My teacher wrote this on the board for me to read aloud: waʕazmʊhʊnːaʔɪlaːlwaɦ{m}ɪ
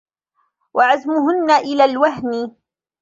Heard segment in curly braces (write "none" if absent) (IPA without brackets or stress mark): n